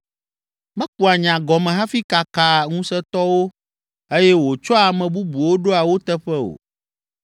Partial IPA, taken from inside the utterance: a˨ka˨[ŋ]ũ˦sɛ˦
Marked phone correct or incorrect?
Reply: correct